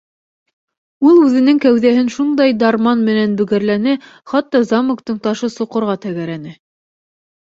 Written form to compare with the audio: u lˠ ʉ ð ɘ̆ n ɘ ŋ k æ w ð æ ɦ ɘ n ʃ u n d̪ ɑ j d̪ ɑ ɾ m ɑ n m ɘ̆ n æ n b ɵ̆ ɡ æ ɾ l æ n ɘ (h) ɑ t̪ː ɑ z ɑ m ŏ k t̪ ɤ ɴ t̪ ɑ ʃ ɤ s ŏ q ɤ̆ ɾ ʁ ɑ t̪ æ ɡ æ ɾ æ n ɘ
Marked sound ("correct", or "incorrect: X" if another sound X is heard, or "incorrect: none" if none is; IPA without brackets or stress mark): incorrect: χ